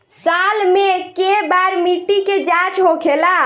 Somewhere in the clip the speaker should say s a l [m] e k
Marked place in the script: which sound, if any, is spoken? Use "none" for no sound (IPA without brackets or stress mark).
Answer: m